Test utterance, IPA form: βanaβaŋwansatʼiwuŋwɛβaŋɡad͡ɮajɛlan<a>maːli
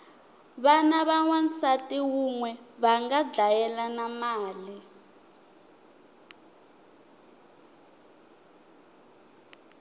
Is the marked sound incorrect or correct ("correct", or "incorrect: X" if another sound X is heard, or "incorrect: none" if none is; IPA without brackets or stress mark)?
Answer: correct